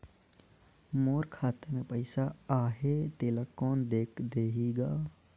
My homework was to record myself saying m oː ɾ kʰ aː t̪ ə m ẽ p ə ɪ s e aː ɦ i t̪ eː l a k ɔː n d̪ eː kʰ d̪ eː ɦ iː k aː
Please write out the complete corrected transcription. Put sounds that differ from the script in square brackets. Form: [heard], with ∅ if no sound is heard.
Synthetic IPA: m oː ɾ kʰ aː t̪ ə m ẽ p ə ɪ s [a] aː ɦ [e] t̪ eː l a k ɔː n d̪ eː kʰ d̪ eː ɦ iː [ɡ] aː